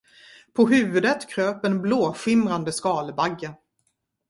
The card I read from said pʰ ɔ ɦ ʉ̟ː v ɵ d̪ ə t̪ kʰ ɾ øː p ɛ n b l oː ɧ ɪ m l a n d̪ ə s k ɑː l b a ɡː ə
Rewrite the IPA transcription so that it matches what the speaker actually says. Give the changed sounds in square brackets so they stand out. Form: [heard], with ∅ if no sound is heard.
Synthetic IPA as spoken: pʰ ɔ ɦ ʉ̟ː v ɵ d̪ ə t̪ kʰ ɾ øː p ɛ n b l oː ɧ ɪ m [ɾ] a n d̪ ə s k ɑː l b a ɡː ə